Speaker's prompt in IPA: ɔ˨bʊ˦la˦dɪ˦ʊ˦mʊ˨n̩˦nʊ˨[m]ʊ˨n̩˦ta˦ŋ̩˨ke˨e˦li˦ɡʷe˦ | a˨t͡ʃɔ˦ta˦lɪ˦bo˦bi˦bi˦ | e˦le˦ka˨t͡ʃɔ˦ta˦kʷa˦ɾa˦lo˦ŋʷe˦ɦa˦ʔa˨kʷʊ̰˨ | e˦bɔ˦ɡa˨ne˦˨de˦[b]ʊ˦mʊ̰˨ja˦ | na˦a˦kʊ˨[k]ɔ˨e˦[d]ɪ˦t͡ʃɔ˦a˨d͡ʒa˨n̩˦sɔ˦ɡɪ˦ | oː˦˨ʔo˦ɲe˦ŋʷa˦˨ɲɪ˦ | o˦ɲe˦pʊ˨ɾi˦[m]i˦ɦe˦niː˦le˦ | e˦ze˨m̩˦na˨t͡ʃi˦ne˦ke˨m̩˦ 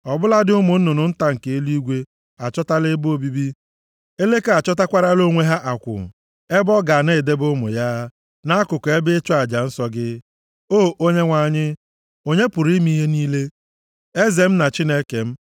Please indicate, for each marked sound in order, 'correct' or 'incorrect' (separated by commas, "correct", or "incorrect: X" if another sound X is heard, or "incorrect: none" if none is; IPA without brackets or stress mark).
incorrect: n, correct, correct, incorrect: b, correct